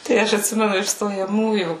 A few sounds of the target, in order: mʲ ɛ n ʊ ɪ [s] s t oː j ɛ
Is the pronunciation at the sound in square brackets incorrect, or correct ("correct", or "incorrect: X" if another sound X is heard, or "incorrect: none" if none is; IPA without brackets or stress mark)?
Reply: incorrect: ʃ